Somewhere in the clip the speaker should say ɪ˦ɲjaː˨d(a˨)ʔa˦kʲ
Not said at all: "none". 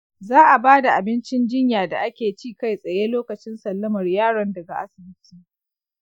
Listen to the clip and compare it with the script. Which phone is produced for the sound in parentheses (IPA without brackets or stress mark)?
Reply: a˨